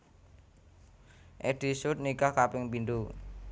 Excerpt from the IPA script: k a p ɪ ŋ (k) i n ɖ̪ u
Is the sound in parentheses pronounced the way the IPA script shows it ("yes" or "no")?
no